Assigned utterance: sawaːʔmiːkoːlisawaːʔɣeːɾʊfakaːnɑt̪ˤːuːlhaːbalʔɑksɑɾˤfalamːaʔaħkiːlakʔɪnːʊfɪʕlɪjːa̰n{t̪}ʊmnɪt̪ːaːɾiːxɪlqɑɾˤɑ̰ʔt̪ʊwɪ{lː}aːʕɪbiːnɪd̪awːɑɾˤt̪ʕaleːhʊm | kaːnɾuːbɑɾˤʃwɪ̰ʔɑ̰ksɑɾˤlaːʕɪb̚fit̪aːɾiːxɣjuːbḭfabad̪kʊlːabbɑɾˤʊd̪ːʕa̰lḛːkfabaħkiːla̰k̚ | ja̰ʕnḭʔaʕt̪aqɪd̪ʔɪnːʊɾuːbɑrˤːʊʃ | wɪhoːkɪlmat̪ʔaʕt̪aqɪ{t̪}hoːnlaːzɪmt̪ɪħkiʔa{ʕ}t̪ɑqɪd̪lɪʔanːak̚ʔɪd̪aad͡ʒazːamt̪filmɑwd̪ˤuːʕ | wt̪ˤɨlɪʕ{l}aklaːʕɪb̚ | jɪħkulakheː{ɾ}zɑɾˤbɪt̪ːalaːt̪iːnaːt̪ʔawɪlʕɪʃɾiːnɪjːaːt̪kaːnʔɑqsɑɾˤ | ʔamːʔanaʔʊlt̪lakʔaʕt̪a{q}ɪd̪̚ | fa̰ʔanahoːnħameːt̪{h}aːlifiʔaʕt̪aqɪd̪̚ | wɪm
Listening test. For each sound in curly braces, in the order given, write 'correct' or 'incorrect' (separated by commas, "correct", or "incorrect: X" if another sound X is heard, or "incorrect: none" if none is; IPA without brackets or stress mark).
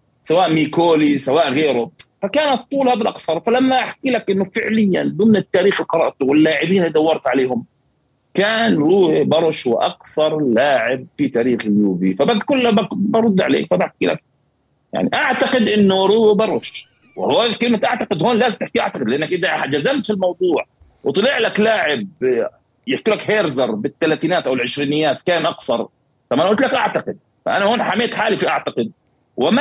incorrect: d̪, correct, incorrect: d̪, correct, correct, correct, correct, incorrect: ħ